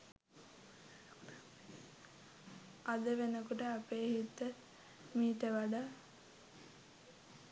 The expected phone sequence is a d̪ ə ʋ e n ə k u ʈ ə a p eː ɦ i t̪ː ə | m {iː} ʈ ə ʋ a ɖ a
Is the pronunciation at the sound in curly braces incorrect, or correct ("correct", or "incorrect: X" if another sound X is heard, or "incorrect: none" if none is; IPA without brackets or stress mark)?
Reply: correct